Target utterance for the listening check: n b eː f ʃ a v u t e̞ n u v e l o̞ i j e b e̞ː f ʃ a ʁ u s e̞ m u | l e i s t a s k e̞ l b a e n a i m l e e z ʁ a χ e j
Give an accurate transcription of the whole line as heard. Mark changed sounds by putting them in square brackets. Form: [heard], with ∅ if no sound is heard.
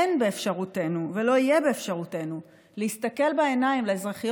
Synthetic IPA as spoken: n b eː f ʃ a [ʁ] u t e̞ n u v e l o̞ i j e b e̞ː f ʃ a ʁ u [t] e̞ [n] u | l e i s t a [∅] k e̞ l b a e n a i m l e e z ʁ a χ [i] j